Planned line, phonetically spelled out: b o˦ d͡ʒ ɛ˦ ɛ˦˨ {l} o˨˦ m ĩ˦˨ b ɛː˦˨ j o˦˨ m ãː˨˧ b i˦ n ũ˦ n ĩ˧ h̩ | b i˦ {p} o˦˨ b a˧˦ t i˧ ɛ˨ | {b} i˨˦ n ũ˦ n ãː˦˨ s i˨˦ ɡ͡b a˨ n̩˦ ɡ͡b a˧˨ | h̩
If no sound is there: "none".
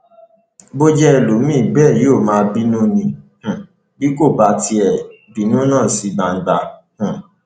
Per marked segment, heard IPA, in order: l, k, b

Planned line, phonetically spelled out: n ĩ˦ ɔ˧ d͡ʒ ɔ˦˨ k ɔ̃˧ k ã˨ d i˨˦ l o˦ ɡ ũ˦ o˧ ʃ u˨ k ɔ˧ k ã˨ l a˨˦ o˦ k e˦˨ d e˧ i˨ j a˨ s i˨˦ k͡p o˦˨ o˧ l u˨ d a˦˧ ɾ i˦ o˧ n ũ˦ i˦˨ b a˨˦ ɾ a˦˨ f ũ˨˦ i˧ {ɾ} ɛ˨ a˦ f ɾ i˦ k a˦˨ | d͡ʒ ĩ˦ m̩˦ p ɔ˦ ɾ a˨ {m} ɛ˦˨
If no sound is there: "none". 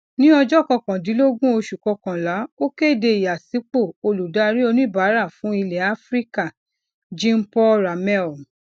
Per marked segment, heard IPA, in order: l, m

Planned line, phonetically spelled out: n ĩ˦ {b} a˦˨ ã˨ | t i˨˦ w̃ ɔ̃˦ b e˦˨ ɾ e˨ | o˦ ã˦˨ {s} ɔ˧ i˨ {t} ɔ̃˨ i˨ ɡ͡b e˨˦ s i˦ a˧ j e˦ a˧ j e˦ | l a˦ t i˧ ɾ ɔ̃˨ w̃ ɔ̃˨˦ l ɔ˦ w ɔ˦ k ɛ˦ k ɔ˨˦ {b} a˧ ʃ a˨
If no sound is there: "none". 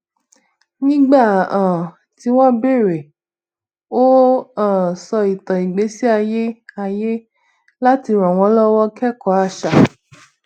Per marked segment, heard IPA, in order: ɡ͡b, s, t, none

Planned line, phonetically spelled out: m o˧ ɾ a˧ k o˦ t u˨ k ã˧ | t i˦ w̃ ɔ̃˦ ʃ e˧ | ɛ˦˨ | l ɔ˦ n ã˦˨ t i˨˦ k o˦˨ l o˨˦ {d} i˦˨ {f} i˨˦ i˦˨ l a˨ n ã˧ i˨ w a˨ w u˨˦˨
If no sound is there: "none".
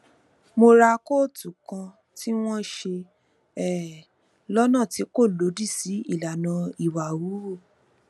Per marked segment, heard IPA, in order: d, s

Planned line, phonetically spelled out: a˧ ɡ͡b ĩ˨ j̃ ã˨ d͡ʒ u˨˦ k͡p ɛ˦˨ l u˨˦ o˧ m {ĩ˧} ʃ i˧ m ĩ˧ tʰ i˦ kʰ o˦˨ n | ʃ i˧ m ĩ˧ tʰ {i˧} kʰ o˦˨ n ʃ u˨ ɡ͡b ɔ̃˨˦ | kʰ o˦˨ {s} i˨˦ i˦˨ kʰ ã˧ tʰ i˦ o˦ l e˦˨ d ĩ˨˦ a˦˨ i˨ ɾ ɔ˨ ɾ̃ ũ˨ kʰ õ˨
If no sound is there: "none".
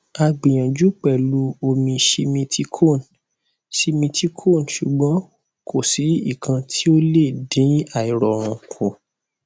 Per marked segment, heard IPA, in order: ĩ˧, i˧, s

